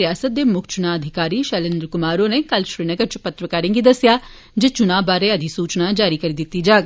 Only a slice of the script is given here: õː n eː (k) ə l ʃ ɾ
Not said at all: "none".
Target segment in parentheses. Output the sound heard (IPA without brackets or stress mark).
k